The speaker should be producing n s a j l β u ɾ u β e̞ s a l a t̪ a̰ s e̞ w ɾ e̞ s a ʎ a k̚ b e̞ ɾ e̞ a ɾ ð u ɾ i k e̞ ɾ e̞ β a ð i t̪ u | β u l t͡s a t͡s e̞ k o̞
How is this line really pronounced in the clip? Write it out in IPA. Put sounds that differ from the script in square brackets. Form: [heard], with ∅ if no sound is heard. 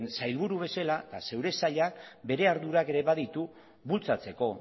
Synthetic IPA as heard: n s a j l β u ɾ u β e̞ s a l a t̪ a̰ s e̞ w ɾ e̞ s a ʎ a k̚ b e̞ ɾ e̞ a ɾ ð u ɾ [a] k e̞ ɾ e̞ β a ð i t̪ u | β u l t͡s a t͡s e̞ k o̞